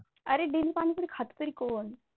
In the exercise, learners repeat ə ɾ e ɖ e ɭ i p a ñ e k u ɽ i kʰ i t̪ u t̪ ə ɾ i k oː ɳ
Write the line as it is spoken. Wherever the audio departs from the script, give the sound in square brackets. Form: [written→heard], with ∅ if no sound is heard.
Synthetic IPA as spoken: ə ɾ e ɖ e [ɭ→l] i p a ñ [e→i] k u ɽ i kʰ [i→a] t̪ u t̪ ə ɾ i k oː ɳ